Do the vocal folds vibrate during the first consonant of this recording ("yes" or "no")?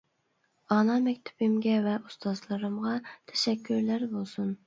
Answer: yes